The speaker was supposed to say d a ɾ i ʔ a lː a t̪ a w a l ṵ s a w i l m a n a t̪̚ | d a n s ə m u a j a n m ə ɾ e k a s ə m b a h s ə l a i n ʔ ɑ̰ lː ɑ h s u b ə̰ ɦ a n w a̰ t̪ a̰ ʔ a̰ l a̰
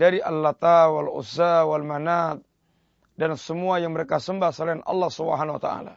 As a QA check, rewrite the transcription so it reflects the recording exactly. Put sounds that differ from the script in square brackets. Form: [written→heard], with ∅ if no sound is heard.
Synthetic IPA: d a ɾ i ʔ a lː a t̪ a w a l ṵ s a w [i→a] l m a n a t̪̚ | d a n s ə m u a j a [n→ŋ] m ə ɾ e k a s ə m b a h s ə l a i n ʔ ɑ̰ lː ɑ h s u b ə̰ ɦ a n w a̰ t̪ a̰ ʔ a̰ l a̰